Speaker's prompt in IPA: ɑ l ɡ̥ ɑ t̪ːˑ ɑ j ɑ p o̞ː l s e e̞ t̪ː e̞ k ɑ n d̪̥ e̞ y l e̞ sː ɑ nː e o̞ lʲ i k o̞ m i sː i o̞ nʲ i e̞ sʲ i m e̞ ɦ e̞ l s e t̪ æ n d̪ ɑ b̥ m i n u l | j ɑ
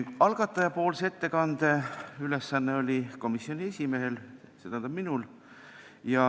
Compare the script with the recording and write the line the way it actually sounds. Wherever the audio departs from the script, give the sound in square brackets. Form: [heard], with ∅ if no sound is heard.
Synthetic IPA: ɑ l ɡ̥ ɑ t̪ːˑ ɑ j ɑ p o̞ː l s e e̞ t̪ː e̞ k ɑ n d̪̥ e̞ y l e̞ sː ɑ nː e o̞ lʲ i k o̞ m i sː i o̞ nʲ i e̞ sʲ i m e̞ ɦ e̞ l s e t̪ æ n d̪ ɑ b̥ m i n u l | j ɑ